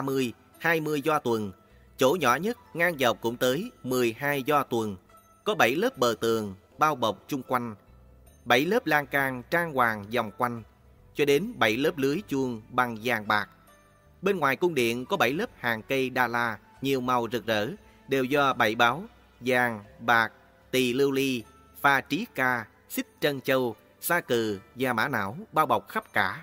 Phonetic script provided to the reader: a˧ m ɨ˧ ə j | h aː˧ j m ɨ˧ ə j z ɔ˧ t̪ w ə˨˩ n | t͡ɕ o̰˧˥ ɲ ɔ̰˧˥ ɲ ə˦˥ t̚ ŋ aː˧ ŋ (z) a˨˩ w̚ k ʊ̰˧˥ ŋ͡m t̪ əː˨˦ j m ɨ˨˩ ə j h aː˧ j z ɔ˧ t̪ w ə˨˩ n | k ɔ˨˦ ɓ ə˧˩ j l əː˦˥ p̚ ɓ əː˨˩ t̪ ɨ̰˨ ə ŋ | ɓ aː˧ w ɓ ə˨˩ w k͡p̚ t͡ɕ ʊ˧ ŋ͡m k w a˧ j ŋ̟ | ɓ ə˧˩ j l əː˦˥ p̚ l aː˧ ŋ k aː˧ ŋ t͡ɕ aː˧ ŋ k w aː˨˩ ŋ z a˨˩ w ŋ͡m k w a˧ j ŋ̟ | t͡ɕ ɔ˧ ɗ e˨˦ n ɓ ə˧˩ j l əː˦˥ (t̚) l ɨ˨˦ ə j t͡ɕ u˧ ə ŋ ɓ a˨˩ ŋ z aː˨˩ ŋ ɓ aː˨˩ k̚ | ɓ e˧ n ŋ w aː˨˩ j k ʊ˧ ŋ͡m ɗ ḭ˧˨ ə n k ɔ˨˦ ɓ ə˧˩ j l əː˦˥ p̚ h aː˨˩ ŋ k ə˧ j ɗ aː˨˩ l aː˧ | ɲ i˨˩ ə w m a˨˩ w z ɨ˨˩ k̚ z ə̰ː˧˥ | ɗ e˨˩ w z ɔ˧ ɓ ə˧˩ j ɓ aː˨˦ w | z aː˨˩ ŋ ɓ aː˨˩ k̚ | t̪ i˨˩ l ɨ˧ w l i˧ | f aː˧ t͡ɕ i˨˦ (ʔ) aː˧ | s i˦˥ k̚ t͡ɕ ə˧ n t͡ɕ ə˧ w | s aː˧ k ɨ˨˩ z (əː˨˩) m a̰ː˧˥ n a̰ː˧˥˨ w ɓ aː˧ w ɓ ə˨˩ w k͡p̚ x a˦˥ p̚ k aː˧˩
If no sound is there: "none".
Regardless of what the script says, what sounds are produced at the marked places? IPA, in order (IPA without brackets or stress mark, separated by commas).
z, p̚, k, aː˨˩